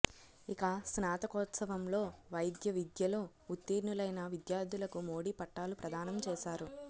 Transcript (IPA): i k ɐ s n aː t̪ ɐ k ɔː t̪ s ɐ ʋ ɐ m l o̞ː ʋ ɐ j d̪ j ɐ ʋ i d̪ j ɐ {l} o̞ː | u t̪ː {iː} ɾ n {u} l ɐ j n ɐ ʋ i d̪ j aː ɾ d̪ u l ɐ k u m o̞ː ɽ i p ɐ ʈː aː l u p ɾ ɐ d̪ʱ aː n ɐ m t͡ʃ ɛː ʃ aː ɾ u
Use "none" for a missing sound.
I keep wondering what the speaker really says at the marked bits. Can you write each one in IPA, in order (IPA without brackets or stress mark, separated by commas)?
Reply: l, iː, u